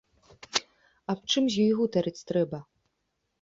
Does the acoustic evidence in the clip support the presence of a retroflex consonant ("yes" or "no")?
yes